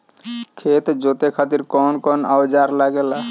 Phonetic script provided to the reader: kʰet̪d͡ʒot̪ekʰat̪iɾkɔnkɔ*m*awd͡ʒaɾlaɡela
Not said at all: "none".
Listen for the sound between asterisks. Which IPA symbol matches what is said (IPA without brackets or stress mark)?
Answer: n